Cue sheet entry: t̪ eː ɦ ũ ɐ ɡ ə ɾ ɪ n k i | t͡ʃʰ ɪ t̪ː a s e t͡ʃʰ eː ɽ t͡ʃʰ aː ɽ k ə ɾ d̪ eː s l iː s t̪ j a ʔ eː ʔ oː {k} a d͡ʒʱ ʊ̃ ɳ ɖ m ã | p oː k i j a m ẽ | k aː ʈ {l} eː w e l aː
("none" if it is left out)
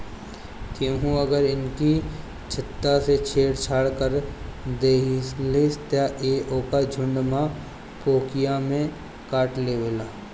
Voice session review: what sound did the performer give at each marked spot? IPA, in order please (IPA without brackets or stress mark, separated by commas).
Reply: k, l